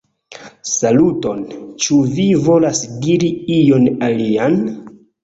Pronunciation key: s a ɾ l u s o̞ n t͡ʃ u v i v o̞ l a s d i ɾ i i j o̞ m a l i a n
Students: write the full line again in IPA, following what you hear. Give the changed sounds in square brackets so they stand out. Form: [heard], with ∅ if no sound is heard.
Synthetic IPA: s a [∅] l u [t] o̞ n t͡ʃ u v i v o̞ l a s d i ɾ i i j o̞ [n] a l i a n